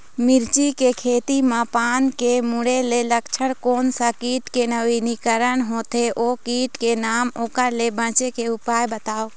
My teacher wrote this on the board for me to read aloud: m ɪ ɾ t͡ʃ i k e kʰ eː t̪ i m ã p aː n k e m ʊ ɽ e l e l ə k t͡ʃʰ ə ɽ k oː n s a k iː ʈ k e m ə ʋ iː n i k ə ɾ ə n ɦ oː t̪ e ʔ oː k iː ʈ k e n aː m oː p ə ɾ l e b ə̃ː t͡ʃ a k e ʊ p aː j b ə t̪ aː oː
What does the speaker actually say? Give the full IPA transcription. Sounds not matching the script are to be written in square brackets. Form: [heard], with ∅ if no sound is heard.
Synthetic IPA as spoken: m ɪ ɾ t͡ʃ i k e kʰ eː t̪ i m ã p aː n k e m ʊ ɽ e l e l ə k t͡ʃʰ ə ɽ k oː n s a k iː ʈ k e [n] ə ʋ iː n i k ə ɾ ə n ɦ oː t̪ e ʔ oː k iː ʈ k e n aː m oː [k] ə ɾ l e b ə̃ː t͡ʃ [e] k e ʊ p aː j b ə t̪ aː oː

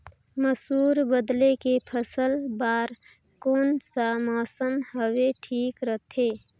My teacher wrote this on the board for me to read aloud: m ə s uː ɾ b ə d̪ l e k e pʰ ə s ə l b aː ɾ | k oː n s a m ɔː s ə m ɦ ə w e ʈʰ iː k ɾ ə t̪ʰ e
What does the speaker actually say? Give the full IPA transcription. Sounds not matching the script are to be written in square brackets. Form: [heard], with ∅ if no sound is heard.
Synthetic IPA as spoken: m ə s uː ɾ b ə d̪ l e k e pʰ ə s ə l b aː ɾ | k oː n s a m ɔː s ə m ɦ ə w e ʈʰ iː k ɾ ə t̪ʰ e

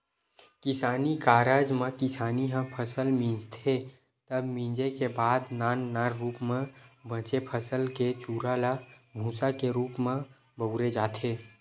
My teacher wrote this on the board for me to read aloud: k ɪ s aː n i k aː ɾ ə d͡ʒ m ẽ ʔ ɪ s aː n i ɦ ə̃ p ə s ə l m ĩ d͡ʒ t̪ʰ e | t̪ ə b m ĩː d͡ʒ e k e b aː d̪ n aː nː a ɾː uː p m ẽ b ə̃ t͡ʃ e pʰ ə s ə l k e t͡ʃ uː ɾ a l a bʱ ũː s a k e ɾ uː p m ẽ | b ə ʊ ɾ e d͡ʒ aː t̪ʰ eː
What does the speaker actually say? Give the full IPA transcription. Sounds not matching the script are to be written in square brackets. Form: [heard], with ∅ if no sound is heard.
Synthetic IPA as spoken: k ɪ s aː n i k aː ɾ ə d͡ʒ m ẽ [k] ɪ s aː n i ɦ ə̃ [pʰ] ə s ə l m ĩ d͡ʒ t̪ʰ e | t̪ ə b m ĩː d͡ʒ e k e b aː d̪ n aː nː a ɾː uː p m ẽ b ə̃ t͡ʃ e pʰ ə s ə l k e t͡ʃ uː ɾ a l a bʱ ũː s a k e ɾ uː p m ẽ | b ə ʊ ɾ e d͡ʒ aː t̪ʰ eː

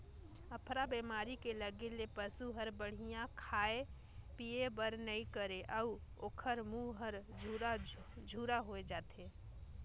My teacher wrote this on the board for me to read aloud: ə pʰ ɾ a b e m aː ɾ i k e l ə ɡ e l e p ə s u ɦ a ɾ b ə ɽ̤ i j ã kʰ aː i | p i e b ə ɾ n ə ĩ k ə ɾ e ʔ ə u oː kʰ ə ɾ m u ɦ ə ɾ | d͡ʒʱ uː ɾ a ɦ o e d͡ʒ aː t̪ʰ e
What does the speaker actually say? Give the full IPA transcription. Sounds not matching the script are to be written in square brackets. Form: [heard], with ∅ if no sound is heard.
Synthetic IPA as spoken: ə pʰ ɾ a b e m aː ɾ i k e l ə ɡ e l e p ə s u ɦ [ə] ɾ b ə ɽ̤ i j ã kʰ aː [e] | p i e b ə ɾ n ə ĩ k ə ɾ e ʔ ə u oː kʰ ə ɾ m u ɦ ə ɾ | d͡ʒʱ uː ɾ a ɦ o e d͡ʒ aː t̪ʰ e

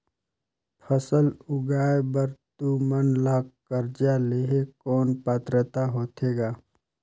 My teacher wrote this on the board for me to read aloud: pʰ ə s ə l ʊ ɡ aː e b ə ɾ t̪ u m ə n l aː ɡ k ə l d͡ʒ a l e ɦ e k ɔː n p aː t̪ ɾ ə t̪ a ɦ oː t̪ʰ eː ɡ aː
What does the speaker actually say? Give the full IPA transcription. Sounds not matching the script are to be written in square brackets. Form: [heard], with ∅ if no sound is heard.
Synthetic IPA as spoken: pʰ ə s ə l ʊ ɡ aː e b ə ɾ t̪ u m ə n l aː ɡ k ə [ɾ] d͡ʒ a l e ɦ e k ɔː n p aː t̪ ɾ ə t̪ a ɦ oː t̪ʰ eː ɡ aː

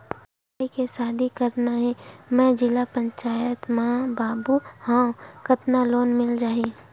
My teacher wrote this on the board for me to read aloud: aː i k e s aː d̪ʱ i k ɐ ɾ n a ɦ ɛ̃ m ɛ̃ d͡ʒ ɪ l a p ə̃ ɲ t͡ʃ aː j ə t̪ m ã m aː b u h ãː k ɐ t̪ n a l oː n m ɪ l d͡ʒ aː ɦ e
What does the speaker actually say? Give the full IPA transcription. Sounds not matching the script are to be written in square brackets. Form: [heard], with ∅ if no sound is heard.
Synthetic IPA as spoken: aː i k e s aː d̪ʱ i k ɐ ɾ n a ɦ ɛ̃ m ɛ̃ d͡ʒ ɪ l a p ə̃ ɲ t͡ʃ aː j ə t̪ m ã [b] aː b u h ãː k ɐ t̪ n a l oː n m ɪ l d͡ʒ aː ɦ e

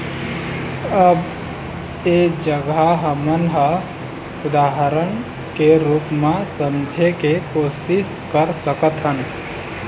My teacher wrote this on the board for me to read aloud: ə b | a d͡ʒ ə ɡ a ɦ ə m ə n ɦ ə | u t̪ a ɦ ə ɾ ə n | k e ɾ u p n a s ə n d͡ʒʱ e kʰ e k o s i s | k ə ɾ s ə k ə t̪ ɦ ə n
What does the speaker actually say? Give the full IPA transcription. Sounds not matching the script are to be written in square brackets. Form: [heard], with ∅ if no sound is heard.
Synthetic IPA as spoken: ə b | [e] d͡ʒ ə ɡ a ɦ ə m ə n ɦ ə | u [d̪] a ɦ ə ɾ ə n | k e ɾ u p [m] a s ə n d͡ʒʱ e [k] e k o s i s | k ə ɾ s ə k ə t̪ ɦ ə n

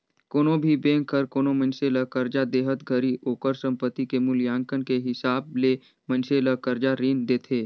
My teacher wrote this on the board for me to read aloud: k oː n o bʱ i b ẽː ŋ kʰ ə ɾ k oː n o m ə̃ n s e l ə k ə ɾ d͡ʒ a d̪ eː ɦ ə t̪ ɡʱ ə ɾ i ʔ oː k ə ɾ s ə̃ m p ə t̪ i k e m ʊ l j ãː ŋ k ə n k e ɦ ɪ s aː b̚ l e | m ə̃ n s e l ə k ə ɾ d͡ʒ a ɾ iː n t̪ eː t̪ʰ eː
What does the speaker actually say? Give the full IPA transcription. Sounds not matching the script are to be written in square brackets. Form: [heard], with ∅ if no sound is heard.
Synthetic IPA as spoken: k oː n o bʱ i b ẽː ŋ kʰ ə ɾ k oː n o m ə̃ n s e l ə k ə ɾ d͡ʒ a d̪ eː ɦ ə t̪ ɡʱ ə ɾ i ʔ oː k ə ɾ s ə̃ m p ə t̪ i k e m ʊ l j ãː ŋ k ə n k e ɦ ɪ s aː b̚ l e | m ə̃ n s e l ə k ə ɾ d͡ʒ a ɾ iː n [d̪] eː t̪ʰ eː

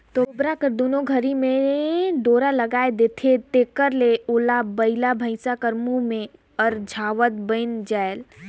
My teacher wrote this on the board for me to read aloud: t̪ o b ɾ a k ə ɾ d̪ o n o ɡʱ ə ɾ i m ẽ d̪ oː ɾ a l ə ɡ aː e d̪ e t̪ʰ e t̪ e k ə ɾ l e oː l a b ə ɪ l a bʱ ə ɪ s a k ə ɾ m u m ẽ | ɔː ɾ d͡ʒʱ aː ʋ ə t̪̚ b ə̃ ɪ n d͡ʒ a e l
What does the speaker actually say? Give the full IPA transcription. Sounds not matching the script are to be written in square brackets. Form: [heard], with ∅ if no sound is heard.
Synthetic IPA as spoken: t̪ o b ɾ a k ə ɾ d̪ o n o ɡʱ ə ɾ i m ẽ d̪ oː ɾ a l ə ɡ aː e d̪ e t̪ʰ e t̪ e k ə ɾ l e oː l a b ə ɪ l a bʱ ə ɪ s a k ə ɾ m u m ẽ | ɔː ɾ d͡ʒʱ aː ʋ ə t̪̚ b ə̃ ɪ n d͡ʒ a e l

